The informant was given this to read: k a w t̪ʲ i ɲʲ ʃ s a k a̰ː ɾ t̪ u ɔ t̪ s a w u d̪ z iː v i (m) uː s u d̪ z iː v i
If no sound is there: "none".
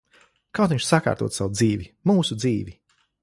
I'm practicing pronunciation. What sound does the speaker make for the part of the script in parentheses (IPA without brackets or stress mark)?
m